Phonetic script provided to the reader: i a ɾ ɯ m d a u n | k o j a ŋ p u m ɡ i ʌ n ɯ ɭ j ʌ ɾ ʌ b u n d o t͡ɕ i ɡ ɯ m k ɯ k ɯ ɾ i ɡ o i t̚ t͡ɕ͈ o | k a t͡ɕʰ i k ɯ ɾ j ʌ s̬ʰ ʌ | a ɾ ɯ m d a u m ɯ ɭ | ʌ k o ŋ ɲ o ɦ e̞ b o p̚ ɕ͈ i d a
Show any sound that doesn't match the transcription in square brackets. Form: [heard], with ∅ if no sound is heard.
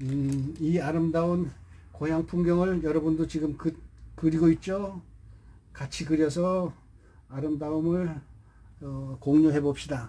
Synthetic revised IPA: i a ɾ ɯ m d a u n | k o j a ŋ [pʰ] u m ɡ [j] ʌ [ŋ] ɯ ɭ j ʌ ɾ ʌ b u n d o t͡ɕ i ɡ ɯ m k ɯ k ɯ ɾ i ɡ o i t̚ t͡ɕ͈ o | k a t͡ɕʰ i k ɯ ɾ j ʌ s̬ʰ ʌ | a ɾ ɯ m d a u m ɯ ɭ | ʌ k o ŋ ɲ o ɦ e̞ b o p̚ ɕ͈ i d a